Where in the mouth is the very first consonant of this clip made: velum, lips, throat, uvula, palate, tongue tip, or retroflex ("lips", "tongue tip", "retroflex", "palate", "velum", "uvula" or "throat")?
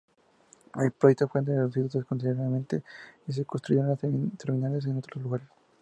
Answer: tongue tip